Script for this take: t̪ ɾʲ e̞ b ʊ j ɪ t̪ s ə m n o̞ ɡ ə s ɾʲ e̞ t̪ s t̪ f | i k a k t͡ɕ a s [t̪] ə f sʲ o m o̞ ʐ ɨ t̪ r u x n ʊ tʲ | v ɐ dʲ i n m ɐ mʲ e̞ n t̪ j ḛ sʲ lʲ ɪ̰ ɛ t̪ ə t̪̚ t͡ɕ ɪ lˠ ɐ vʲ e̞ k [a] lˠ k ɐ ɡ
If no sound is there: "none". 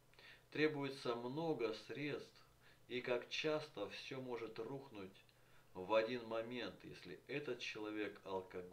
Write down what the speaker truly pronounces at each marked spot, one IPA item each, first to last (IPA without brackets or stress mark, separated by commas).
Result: t̪, ɐ